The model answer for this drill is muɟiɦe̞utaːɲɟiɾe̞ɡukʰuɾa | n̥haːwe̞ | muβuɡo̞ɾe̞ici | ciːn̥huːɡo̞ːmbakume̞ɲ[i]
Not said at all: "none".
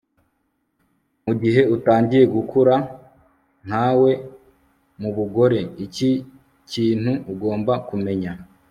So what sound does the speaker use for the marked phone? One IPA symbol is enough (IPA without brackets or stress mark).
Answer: a